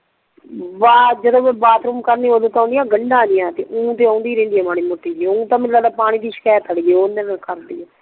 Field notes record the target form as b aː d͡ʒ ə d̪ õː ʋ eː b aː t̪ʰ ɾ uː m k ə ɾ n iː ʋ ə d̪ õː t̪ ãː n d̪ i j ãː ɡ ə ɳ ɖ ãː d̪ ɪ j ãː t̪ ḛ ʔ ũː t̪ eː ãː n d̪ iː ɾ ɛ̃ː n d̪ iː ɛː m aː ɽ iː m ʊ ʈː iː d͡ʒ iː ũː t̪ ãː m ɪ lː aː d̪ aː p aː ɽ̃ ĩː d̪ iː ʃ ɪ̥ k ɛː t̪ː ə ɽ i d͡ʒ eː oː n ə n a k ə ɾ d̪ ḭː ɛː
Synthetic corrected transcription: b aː d͡ʒ ə d̪ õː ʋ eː b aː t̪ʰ ɾ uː m k ə ɾ n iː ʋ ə d̪ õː t̪ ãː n d̪ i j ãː ɡ ə ɳ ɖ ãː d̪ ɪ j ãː t̪ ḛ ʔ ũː t̪ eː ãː n d̪ iː ɾ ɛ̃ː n d̪ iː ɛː m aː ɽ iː m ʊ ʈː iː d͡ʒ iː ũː t̪ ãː m ɪ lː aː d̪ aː p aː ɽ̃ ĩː d̪ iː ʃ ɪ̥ k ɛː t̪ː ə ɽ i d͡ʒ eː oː n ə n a k ə ɾ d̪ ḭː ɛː